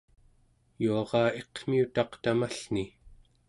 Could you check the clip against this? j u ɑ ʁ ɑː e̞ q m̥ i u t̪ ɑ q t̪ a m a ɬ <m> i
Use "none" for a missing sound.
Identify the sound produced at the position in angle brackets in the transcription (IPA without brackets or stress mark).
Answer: n